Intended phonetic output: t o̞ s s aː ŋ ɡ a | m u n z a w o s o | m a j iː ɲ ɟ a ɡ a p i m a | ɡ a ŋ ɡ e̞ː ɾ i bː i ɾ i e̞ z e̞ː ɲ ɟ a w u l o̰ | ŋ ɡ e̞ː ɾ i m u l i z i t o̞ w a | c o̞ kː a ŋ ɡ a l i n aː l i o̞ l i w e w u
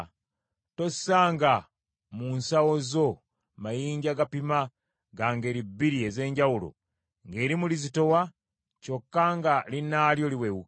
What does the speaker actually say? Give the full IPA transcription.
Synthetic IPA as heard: t o̞ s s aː ŋ ɡ a | m u n s a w o z o | m a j iː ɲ ɟ a ɡ a p i m a | ɡ a ŋ ɡ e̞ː ɾ i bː i ɾ i e̞ z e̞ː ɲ ɟ a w u l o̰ | ŋ ɡ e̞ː ɾ i m u l i z i t o̞ w a | c o̞ kː a ŋ ɡ a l i n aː l j o̞ l i w e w u